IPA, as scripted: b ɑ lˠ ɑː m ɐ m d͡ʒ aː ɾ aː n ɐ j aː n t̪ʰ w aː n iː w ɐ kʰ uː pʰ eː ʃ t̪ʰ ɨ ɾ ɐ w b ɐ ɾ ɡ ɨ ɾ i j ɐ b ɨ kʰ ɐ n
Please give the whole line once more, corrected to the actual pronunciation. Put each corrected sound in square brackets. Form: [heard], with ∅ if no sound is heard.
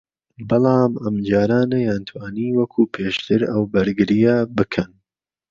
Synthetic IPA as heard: b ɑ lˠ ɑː m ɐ m d͡ʒ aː ɾ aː n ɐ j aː n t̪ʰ w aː n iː w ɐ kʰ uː pʰ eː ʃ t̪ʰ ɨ ɾ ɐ w b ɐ ɾ ɡ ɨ ɾ i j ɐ b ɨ kʰ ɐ n